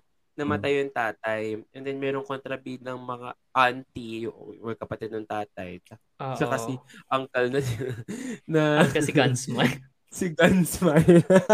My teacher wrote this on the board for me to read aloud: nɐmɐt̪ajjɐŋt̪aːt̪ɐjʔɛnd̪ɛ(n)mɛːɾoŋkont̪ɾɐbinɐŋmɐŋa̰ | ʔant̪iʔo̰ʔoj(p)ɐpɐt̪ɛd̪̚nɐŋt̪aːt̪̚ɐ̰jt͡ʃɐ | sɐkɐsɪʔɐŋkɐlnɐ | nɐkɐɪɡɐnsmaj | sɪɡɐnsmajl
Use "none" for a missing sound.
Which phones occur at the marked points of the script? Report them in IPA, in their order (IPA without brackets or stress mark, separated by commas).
n, k